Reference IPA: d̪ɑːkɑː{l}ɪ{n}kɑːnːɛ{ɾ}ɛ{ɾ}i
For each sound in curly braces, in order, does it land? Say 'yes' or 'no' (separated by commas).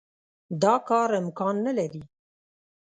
no, no, no, yes